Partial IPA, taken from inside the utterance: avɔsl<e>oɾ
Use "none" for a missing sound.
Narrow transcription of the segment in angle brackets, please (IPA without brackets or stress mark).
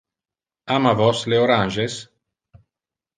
e